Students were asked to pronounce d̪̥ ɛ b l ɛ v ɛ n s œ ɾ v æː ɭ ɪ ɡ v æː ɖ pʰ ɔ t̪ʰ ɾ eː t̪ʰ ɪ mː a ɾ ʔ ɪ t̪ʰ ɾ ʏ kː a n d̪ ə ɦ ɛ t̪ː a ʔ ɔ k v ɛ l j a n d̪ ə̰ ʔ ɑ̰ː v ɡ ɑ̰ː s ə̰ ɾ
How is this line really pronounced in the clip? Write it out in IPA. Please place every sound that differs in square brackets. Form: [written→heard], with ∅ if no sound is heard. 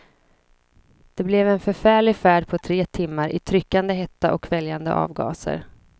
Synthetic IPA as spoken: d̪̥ ɛ b l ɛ v ɛ n [s→f] œ ɾ [v→f] æː ɭ ɪ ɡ [v→f] æː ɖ pʰ ɔ t̪ʰ ɾ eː t̪ʰ ɪ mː a ɾ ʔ ɪ t̪ʰ ɾ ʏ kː a n d̪ ə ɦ ɛ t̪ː a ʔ ɔ k v ɛ l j a n d̪ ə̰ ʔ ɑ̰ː v ɡ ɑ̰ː s ə̰ ɾ